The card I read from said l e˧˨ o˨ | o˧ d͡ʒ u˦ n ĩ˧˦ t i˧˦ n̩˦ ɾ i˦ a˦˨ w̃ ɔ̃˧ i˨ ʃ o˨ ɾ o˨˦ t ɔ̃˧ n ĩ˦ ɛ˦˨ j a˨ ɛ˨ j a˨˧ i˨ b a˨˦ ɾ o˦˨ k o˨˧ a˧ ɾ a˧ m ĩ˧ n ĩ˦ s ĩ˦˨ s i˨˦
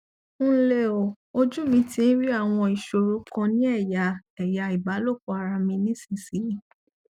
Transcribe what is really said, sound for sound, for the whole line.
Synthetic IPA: l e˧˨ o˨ | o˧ d͡ʒ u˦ m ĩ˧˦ t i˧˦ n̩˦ ɾ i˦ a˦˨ w̃ ɔ̃˧ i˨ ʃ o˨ ɾ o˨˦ k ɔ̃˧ n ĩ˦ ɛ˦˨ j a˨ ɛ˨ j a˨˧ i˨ b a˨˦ l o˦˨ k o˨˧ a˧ ɾ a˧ m ĩ˧ n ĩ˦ s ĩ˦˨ s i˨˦